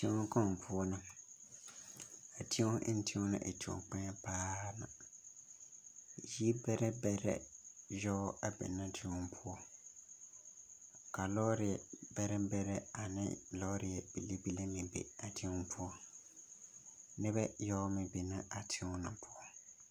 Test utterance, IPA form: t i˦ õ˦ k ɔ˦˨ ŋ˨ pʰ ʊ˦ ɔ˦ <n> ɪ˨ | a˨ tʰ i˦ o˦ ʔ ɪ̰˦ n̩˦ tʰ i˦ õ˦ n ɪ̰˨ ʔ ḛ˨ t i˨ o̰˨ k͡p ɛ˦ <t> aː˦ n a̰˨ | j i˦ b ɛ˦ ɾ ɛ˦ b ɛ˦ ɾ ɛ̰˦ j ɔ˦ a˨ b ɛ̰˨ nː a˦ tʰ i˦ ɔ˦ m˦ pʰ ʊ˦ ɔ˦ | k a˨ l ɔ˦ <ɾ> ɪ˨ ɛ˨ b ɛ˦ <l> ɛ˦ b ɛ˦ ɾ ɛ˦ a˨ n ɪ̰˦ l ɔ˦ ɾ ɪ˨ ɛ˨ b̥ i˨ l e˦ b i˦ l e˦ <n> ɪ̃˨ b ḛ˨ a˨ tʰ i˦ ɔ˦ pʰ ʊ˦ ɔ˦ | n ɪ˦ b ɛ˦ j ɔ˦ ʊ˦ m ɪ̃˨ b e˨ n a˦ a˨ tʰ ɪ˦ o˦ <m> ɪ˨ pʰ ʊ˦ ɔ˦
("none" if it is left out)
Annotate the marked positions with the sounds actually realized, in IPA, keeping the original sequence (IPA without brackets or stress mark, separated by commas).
n, p, ɾ, ɾ, m, n